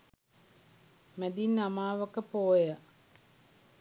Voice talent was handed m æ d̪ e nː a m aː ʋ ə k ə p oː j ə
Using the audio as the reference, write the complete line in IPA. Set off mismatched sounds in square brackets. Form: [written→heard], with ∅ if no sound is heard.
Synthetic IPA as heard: m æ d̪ [e→i] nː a m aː ʋ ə k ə p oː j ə